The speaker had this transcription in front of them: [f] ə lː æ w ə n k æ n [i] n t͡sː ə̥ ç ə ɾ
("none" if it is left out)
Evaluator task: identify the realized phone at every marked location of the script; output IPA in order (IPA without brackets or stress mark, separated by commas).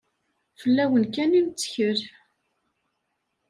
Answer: f, i